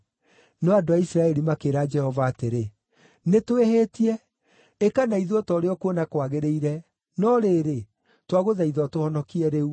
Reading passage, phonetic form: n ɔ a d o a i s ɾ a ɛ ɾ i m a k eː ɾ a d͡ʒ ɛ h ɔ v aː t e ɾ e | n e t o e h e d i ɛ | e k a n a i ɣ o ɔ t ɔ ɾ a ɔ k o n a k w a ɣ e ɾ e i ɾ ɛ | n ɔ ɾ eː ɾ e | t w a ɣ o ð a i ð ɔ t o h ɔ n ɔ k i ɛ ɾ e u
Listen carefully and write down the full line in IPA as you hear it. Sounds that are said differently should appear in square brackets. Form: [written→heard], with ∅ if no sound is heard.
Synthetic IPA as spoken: n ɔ a d o a i s ɾ a ɛ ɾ i m a k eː ɾ a d͡ʒ ɛ h ɔ v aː t e ɾ e | n e t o e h e [d→t] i ɛ | e k a n a i [ɣ→ð] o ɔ t ɔ ɾ [a→e] ɔ k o n a k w a ɣ e ɾ e i ɾ ɛ | n ɔ ɾ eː ɾ e | t w a ɣ o ð a i ð ɔ t o h ɔ n ɔ k i ɛ ɾ e u